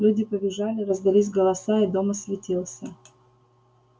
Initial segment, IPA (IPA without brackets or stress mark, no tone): lʲ